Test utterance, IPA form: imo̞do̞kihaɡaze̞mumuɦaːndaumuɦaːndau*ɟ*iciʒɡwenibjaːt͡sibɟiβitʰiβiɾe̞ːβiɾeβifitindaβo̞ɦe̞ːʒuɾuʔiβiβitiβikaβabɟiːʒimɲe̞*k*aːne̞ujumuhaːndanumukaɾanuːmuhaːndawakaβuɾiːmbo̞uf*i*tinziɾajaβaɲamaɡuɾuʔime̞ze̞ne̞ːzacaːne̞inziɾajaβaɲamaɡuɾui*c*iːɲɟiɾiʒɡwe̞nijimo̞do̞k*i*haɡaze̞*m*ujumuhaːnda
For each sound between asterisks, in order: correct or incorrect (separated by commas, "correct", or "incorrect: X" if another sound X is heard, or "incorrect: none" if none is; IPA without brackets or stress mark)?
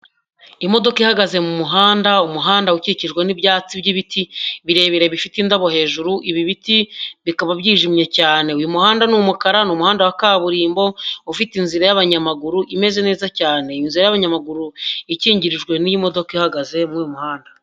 incorrect: c, incorrect: c, correct, correct, correct, correct